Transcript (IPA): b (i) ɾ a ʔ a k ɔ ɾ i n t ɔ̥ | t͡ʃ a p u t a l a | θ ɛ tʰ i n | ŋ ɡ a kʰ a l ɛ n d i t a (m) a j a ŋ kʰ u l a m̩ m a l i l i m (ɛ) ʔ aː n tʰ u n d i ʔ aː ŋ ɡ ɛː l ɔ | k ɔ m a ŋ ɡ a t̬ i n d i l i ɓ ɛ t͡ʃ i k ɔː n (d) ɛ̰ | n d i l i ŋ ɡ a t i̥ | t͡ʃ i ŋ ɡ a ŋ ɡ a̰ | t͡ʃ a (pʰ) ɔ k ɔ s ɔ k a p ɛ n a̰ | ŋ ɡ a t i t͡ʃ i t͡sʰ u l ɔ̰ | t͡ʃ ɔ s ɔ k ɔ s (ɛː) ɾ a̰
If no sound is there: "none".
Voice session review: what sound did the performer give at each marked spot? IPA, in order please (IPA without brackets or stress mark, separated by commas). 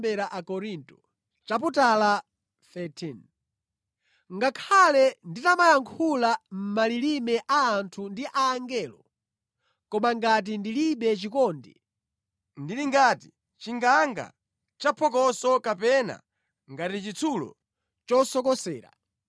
ɛ, m, ɛ, d, pʰ, ɛː